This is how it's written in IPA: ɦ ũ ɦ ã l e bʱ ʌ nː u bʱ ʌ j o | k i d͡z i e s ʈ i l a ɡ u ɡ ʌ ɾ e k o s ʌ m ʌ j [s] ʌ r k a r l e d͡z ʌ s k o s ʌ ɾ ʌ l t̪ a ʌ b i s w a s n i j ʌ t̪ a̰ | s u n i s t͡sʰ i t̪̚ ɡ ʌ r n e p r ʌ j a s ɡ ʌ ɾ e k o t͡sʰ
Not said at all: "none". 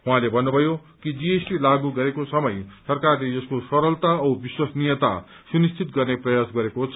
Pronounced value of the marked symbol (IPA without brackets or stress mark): s